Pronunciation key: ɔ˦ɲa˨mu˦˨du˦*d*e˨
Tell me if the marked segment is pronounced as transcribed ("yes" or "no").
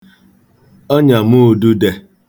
yes